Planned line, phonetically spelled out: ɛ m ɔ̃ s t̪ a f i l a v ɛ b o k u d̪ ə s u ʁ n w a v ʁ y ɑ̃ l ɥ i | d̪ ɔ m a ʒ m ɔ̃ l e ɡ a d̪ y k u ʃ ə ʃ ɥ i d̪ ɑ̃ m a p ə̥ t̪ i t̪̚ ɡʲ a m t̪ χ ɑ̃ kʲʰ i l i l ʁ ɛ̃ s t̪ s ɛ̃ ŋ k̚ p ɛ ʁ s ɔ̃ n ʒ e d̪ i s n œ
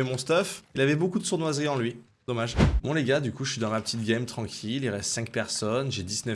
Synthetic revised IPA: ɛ m ɔ̃ s t̪ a f i l a v ɛ b o k u d̪ ə s u ʁ n w a z ʁ i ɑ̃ l ɥ i | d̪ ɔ m a ʒ m ɔ̃ l e ɡ a d̪ y k u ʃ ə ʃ ɥ i d̪ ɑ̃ m a p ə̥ t̪ i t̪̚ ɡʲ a m t̪ χ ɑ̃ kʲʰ i l i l ʁ ɛ s t̪ s ɛ̃ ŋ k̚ p ɛ ʁ s ɔ n ʒ e d̪ i s n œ